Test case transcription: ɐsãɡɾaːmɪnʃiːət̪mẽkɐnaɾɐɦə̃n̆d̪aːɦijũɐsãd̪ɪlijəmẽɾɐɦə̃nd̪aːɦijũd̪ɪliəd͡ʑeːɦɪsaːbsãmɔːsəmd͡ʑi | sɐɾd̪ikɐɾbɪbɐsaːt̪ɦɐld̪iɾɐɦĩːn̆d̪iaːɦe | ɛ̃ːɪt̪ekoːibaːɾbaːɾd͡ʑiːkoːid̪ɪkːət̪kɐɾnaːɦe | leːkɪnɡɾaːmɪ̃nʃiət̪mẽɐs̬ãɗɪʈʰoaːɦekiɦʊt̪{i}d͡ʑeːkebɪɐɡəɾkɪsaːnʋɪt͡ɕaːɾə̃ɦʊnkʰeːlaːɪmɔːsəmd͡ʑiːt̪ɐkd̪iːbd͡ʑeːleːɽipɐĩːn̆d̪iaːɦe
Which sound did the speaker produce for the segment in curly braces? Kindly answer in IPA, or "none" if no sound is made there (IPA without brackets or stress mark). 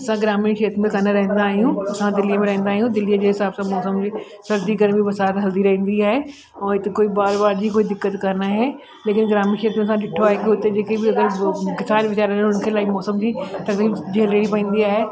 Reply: e